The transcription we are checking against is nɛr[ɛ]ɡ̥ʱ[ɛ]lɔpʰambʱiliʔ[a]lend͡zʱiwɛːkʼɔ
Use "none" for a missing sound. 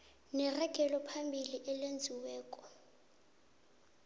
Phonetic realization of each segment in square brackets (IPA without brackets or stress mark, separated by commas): ɛ, ɛ, ɛ